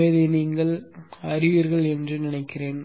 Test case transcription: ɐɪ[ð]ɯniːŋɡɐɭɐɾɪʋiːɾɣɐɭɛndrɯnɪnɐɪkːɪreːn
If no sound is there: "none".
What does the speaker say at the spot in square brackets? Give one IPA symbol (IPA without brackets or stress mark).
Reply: ð